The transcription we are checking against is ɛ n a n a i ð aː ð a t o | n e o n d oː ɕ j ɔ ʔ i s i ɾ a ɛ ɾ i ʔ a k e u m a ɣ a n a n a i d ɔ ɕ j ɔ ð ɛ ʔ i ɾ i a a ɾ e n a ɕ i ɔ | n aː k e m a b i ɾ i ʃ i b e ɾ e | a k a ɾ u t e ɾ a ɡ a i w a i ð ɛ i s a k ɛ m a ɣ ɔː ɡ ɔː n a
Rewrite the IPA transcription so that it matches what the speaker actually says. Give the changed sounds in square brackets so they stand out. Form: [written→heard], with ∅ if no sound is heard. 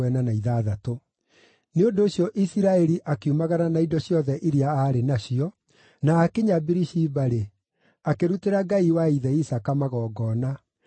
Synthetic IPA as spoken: ɛ n a n a i ð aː ð a t o | n e o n d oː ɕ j ɔ ʔ i s i ɾ a ɛ ɾ i ʔ a k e u m a ɣ a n a n a i d ɔ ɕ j ɔ ð ɛ ʔ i ɾ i a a ɾ e n a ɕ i ɔ | n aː k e [m→ɲ] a b i ɾ i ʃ i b [e→a] ɾ e | a k [a→e] ɾ u t e ɾ a ɡ a i w a i ð ɛ i s a k [ɛ→a] m a ɣ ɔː ɡ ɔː n a

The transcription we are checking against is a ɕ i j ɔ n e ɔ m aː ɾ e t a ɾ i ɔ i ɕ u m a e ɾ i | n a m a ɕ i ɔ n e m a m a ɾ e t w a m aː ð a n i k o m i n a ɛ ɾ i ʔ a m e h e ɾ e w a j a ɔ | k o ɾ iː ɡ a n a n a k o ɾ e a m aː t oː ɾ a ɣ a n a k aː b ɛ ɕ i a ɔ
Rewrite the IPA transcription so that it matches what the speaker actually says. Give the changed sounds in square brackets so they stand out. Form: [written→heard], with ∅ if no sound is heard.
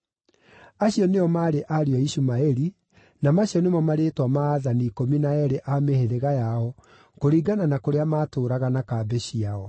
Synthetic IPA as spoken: a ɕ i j ɔ n e ɔ m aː ɾ e [t→ʔ] a ɾ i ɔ i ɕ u m a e ɾ i | n a m a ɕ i ɔ n e m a m a ɾ e t w a m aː ð a n i k o m i n a ɛ ɾ [i→e] ʔ a m e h e ɾ e [w→ɣ] a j a ɔ | k o ɾ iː ɡ a n a n a k o ɾ e a m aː t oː ɾ a ɣ a n a k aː b ɛ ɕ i a ɔ

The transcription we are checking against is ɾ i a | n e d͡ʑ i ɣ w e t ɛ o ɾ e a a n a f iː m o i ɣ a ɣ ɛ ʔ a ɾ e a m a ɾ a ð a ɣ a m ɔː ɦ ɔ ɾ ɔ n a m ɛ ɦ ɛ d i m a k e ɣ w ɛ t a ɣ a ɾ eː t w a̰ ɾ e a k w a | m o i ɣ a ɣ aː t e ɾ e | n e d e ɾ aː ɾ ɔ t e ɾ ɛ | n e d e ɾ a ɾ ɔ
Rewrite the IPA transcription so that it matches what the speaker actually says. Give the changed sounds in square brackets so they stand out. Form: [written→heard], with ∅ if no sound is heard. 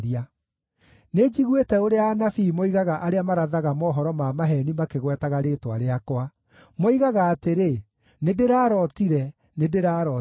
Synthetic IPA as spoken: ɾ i a | n e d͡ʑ i ɣ w e t ɛ o ɾ e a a n a f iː m o i ɣ a ɣ [ɛ→a] ʔ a ɾ e a m a ɾ a ð a ɣ a m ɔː ɦ ɔ ɾ ɔ [n→m] a m [ɛ→a] ɦ ɛ [d→n] i m a k e ɣ w ɛ t a ɣ a ɾ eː t w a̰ ɾ e a k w a | m o i ɣ a ɣ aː t e ɾ e | n e d e ɾ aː ɾ ɔ t [e→i] ɾ ɛ | n e d e ɾ a ɾ ɔ

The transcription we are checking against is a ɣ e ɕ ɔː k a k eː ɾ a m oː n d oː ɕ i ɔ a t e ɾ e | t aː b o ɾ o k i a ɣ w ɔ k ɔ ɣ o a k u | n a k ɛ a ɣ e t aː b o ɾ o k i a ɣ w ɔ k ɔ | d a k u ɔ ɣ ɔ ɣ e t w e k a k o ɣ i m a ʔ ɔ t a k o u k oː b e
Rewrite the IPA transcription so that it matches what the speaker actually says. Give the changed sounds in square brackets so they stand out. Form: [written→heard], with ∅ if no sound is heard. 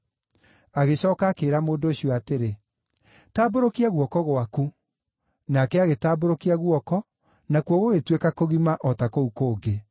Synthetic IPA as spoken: a ɣ e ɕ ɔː k a k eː ɾ a m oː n d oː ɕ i ɔ a t e ɾ e | t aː b o ɾ o k i a ɣ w ɔ k ɔ ɣ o a k u | n a k ɛ a ɣ e t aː b o ɾ o k i a ɣ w ɔ k ɔ | [d→n] a k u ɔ ɣ [ɔ→o] ɣ e t w e k a k o ɣ i m a ʔ ɔ t a k o u k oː [b→ɡ] e

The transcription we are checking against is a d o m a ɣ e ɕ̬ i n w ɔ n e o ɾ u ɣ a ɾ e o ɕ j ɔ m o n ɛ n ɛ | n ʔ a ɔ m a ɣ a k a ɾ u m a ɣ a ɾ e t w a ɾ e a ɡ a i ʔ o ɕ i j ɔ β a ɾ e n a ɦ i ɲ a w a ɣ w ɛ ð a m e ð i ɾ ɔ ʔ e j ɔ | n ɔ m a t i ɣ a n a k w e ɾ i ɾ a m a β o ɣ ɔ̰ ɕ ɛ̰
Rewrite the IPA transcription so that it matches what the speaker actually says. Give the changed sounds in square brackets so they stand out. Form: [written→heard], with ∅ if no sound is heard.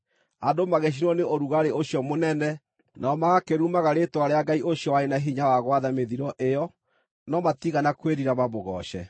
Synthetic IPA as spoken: a d o m a ɣ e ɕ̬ i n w ɔ n e o ɾ u ɣ a ɾ e o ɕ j ɔ m o n ɛ n ɛ | n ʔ a ɔ m a ɣ a k [a→e] ɾ u m a ɣ a ɾ e t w a ɾ e a ɡ a i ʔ o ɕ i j ɔ [β→w] a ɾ e n a ɦ i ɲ a w a ɣ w [ɛ→a] ð a m e ð i ɾ ɔ ʔ e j ɔ | n ɔ m a t i ɣ a n a k w e ɾ i ɾ a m a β o ɣ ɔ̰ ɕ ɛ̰

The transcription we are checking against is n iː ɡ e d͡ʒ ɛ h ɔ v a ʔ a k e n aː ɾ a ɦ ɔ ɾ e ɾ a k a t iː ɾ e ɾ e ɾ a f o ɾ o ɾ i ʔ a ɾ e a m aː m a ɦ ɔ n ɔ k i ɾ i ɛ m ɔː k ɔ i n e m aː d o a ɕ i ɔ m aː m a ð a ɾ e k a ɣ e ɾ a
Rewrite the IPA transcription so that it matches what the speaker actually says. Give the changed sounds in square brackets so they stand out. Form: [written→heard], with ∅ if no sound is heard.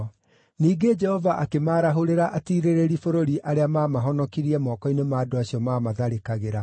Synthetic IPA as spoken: n iː ɡ e d͡ʒ ɛ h ɔ v a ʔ a k e [n→m] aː ɾ a ɦ [ɔ→o] ɾ e ɾ a [k→ʔ] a t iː ɾ e ɾ e ɾ [a→i] f o ɾ o ɾ i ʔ a ɾ e a m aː m a ɦ ɔ n ɔ k i ɾ i ɛ m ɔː k ɔ i n e m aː d o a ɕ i ɔ m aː m a ð a ɾ e k a ɣ e ɾ a

